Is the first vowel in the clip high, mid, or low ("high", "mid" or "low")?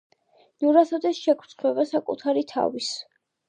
high